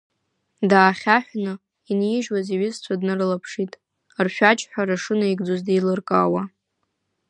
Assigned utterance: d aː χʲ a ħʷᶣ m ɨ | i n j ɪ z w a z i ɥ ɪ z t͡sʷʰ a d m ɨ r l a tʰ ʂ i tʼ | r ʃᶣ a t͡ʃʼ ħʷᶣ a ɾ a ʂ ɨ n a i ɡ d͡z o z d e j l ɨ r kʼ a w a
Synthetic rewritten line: d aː χʲ a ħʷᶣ n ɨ | i n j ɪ ʒ w a z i ɥ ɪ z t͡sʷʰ a d n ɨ r l a pʰ ʂ i tʼ | r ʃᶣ a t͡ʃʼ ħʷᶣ a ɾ a ʂ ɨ n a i ɡ d͡z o z d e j l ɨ r kʼ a w a